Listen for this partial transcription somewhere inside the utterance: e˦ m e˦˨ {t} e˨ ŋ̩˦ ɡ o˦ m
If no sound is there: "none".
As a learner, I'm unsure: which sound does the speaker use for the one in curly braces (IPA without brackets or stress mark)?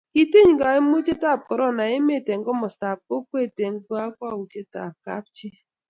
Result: t